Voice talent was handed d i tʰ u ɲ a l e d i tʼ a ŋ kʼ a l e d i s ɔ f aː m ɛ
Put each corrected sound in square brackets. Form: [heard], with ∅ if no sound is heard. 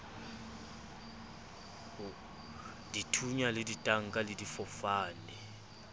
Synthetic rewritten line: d i tʰ u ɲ a l e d i tʼ a ŋ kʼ a l e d i [f] ɔ f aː [n] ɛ